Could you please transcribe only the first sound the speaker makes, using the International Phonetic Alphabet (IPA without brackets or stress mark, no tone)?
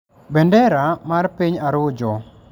b